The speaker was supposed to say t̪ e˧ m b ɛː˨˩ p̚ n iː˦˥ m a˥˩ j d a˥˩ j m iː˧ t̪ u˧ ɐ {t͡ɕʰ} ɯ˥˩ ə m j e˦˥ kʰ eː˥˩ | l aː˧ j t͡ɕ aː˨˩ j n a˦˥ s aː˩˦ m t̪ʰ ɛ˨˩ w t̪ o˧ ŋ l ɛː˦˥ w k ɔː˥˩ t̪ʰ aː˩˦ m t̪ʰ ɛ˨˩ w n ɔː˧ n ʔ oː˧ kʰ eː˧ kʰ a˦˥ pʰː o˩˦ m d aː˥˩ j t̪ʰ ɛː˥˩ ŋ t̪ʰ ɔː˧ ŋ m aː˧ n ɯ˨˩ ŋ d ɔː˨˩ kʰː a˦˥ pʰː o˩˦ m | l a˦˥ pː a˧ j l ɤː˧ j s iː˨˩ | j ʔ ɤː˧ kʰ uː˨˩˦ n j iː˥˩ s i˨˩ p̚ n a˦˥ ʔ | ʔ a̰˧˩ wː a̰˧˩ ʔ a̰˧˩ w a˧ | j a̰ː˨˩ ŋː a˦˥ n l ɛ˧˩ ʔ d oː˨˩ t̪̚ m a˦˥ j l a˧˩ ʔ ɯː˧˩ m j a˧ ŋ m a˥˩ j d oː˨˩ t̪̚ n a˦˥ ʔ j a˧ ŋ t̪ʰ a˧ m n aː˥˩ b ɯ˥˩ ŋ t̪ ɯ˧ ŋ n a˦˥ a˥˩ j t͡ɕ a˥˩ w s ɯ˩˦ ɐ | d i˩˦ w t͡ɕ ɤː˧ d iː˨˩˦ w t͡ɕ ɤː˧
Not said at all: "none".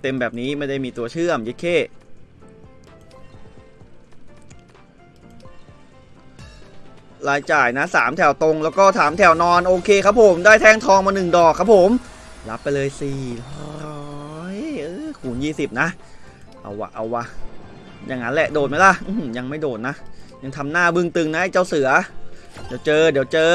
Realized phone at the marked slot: t͡ɕʰ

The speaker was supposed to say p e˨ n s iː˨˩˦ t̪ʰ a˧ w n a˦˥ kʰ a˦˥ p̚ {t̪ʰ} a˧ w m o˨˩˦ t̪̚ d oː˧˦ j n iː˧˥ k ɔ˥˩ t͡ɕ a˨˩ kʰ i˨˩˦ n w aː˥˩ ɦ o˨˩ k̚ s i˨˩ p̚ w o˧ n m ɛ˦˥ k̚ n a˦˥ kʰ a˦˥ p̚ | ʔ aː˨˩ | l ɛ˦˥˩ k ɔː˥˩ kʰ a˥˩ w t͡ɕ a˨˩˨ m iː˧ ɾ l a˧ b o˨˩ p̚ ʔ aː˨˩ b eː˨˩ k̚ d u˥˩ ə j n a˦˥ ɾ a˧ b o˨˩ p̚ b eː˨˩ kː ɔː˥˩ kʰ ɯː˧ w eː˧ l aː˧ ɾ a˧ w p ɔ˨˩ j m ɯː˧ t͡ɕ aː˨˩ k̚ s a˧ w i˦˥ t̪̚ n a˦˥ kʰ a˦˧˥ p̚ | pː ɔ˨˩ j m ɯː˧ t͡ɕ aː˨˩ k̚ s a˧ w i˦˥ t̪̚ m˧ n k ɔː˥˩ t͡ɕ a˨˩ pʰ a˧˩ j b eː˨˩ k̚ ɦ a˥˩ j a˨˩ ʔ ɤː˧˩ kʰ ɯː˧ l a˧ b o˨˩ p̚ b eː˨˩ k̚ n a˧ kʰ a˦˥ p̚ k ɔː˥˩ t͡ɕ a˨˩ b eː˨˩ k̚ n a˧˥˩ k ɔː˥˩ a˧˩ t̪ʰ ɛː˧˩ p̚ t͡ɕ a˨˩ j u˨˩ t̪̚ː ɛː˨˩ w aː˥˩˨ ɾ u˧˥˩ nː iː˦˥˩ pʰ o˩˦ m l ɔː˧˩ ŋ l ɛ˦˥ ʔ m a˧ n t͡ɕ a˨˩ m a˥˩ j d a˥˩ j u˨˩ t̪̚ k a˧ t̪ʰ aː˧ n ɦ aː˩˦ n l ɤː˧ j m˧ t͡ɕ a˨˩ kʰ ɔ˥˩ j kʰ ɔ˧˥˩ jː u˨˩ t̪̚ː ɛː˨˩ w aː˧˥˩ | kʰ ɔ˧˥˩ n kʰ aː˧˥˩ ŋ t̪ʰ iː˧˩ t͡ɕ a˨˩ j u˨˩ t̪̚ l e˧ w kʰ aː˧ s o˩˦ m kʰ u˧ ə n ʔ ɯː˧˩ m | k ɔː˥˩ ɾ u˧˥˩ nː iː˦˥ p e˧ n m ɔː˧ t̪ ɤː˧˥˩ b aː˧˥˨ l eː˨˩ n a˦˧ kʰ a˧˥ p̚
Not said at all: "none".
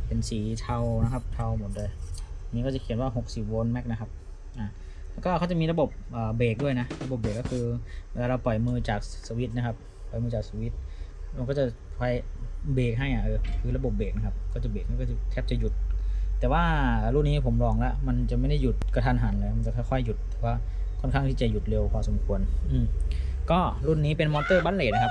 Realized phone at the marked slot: t̪ʰ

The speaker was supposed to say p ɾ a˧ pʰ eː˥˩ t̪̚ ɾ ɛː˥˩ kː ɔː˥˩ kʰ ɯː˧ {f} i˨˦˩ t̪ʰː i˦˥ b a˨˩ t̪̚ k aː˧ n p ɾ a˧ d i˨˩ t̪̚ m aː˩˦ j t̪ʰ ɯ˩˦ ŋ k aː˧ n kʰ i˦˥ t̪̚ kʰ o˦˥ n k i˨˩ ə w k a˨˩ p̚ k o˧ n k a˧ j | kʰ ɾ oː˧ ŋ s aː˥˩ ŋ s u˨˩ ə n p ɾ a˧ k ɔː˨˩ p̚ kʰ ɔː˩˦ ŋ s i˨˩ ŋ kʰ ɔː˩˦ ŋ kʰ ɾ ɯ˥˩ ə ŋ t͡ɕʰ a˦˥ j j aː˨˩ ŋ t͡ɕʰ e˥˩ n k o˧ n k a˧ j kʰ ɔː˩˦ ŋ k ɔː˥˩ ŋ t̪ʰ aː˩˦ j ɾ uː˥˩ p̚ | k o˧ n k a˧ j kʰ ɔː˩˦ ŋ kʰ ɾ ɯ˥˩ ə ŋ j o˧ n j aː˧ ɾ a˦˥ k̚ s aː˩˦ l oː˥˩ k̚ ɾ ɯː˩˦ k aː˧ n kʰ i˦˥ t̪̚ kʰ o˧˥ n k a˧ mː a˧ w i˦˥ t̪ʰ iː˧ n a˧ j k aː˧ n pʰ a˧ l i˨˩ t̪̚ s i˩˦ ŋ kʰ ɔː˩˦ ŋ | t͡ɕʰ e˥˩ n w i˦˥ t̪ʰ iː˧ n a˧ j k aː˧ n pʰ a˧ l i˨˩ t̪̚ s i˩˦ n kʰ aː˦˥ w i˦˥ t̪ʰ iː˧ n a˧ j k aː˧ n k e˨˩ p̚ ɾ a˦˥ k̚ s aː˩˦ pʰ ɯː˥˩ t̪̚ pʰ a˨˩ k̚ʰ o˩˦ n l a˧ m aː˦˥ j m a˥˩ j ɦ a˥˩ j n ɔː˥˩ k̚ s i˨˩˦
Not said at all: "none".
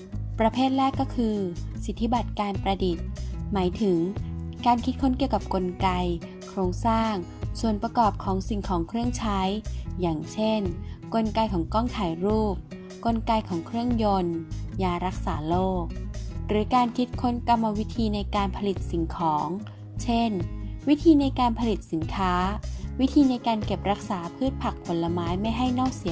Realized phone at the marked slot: s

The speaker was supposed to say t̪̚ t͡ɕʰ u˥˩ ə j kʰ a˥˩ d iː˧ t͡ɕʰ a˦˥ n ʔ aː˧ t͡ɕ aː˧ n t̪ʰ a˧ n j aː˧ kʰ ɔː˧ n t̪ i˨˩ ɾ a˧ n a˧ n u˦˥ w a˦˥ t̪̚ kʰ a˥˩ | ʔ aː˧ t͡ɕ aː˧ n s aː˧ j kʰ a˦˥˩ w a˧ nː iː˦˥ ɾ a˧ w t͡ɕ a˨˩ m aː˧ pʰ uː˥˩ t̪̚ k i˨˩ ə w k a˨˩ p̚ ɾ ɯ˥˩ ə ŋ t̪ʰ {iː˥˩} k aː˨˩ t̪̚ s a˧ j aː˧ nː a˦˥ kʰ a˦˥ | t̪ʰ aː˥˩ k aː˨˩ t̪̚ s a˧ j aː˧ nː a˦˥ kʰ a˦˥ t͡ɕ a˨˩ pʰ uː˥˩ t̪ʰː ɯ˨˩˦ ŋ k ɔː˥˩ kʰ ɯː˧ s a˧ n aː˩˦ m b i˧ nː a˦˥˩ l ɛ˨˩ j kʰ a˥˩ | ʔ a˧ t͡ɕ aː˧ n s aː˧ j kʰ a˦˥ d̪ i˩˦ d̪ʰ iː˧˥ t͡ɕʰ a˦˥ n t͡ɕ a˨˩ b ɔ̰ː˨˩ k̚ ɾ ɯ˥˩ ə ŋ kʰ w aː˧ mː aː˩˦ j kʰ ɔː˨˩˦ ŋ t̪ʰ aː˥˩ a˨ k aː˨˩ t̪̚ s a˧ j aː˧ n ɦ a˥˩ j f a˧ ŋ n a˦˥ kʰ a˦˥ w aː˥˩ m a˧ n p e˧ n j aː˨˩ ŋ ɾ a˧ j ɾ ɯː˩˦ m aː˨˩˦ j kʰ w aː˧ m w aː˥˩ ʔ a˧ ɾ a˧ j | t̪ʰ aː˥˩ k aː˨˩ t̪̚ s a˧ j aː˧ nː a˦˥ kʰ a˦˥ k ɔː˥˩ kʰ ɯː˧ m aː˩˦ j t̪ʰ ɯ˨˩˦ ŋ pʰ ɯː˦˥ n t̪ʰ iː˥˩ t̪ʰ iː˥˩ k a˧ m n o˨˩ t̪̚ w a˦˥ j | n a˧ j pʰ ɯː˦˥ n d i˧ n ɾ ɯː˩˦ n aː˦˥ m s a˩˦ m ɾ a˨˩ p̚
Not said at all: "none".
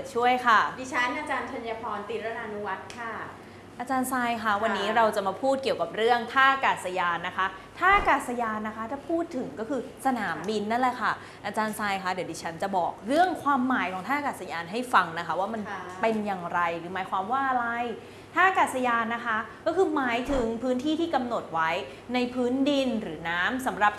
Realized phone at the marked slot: aː˥˩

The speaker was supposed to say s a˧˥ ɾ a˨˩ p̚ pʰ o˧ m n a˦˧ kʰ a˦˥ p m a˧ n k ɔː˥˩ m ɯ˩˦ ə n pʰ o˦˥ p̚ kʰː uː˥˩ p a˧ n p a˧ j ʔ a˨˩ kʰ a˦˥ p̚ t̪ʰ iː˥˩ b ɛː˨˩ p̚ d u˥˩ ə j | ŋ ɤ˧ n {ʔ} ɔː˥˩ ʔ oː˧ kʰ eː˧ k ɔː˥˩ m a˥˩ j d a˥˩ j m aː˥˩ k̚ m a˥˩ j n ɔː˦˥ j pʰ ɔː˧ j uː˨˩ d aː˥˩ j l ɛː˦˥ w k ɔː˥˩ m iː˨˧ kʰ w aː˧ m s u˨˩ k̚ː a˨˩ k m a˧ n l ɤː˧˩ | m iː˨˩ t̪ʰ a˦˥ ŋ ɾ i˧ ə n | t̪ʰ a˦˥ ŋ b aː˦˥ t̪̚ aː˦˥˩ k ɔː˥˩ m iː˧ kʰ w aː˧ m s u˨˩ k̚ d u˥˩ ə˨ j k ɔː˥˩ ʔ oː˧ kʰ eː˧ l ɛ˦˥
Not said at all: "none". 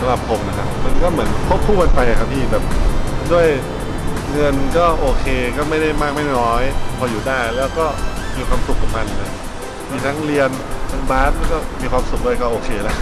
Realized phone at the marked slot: k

